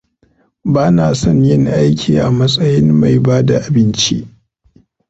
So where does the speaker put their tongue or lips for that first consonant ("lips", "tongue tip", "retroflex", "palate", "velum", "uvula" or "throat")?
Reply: lips